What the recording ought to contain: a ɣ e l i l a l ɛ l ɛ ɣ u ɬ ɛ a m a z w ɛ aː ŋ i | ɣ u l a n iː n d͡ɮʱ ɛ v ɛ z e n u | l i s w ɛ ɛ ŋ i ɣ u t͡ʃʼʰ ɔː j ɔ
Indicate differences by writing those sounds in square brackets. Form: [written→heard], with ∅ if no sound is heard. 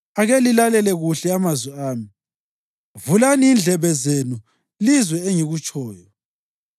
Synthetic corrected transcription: a ɣ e l i l a l ɛ l ɛ ɣ u ɬ ɛ a m a z w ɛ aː [ŋ→m] i | [ɣ→v] u l a n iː n d͡ɮʱ ɛ [v→β] ɛ z e n u | l i [s→z] w ɛ [ɛ→e] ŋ i ɣ u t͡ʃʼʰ ɔː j ɔ